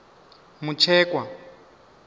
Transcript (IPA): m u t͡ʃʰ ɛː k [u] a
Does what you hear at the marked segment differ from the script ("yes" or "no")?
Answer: yes